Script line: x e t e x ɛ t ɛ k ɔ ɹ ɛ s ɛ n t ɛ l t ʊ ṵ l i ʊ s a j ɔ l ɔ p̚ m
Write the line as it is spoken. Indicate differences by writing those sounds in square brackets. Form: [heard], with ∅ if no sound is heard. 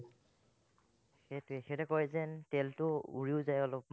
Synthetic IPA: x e t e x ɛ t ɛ k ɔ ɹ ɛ [z] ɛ n t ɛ l t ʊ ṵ [ɹ] i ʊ [z] a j ɔ l ɔ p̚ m